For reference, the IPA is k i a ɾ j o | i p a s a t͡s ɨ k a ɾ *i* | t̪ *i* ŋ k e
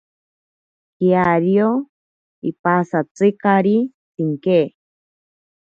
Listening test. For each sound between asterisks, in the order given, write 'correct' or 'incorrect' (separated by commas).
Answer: correct, correct